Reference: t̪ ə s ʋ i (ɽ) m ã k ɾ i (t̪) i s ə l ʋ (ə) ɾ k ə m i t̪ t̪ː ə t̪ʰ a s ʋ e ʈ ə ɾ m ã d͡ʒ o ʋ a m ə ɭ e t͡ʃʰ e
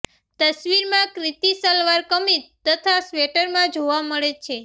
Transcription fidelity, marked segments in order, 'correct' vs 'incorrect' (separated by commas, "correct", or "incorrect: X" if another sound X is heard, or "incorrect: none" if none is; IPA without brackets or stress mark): incorrect: ɾ, correct, incorrect: a